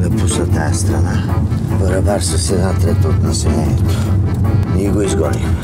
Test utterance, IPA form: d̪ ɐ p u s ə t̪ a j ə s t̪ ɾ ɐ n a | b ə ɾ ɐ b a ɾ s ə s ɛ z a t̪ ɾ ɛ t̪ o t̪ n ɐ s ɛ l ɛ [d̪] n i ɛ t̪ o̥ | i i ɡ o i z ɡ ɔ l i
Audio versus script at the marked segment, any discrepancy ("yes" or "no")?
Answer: yes